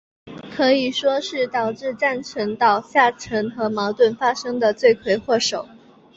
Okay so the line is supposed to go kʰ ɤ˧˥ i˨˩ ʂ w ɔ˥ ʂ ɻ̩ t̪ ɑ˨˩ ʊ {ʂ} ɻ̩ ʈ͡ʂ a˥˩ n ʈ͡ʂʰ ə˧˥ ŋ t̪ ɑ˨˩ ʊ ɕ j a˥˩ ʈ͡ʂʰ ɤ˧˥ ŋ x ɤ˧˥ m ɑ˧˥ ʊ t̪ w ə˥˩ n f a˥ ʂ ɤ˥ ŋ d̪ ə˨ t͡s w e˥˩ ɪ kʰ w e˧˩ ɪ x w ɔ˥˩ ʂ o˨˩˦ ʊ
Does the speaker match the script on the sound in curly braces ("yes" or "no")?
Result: no